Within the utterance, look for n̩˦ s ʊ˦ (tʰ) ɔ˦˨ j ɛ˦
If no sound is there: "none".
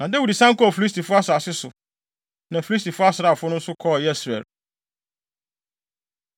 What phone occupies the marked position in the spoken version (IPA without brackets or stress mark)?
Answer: kʰ